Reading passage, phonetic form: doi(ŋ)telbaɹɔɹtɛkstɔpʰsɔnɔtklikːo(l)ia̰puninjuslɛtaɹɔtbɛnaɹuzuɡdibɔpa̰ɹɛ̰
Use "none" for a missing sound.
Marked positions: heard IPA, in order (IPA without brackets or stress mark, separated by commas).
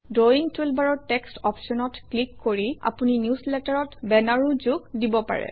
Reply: ŋ, ɹ